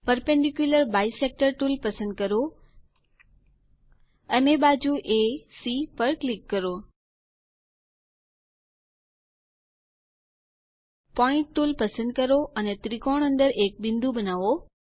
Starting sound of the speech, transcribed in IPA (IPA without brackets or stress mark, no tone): p